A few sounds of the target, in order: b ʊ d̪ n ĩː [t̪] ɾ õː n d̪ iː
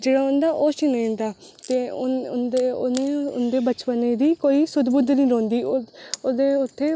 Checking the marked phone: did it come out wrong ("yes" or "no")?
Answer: yes